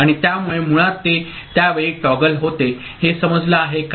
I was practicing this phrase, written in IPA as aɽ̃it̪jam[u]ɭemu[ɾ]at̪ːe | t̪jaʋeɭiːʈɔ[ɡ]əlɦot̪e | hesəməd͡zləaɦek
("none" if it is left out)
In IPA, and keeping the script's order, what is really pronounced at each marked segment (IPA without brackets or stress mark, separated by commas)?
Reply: u, ɭ, ɡ